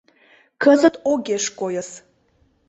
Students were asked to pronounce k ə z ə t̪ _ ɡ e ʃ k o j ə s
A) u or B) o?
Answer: B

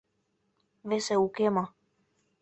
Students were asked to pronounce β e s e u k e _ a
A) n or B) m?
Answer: B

